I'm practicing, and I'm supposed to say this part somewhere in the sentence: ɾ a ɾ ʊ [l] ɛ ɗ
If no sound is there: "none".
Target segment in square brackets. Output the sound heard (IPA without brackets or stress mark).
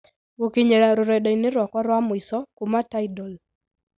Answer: ɾ